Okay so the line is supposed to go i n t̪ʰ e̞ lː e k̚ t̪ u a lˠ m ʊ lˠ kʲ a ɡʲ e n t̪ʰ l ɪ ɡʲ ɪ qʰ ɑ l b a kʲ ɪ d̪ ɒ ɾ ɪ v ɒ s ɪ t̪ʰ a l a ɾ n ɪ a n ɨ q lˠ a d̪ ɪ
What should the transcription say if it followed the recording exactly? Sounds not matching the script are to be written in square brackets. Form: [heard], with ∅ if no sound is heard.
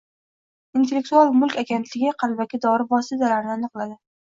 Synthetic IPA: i n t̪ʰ e̞ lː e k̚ t̪ u a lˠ m ʊ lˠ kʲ a ɡʲ e n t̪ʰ l ɪ ɡʲ ɪ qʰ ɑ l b a kʲ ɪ d̪ ɒ ɾ ɪ v ɒ s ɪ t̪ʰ a l a ɾ n ɪ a n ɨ q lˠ a d̪ ɪ